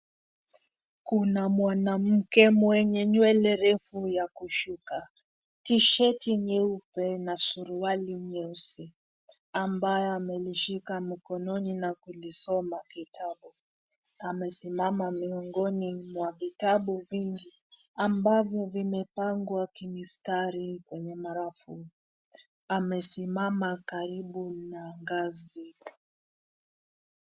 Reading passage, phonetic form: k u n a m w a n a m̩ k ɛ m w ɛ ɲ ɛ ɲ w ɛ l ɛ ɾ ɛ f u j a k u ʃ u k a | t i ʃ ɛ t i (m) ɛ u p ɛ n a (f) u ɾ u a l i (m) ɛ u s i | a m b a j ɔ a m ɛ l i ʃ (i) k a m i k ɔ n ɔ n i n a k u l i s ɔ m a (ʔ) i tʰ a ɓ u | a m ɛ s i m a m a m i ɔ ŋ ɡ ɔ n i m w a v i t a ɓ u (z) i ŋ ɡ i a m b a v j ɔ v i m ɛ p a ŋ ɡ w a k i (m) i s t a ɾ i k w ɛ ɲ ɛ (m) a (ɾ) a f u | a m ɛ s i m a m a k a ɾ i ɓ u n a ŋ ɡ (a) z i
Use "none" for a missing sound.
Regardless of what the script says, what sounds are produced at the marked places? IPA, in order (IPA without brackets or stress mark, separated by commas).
ɲ, s, ɲ, i, k, v, m, m, ɾ, a